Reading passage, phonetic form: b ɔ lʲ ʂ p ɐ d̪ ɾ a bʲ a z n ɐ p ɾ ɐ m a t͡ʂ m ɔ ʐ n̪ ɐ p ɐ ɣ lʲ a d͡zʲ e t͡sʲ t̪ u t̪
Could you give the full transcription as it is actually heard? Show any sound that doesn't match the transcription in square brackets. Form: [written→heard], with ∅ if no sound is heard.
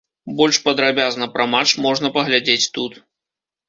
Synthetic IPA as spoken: b ɔ lʲ ʂ p ɐ d̪ ɾ a bʲ a z n ɐ p ɾ ɐ m a t͡ʂ m ɔ ʐ n̪ ɐ p ɐ ɣ lʲ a d͡zʲ e t͡sʲ t̪ u t̪